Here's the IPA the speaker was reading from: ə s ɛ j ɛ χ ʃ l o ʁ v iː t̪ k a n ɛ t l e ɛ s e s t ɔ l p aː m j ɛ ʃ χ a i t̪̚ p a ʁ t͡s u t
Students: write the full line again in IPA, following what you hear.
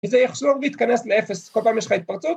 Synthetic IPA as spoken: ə z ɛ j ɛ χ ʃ l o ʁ v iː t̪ k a n ɛ s l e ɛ f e s k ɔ l p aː m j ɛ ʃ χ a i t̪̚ p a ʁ t͡s u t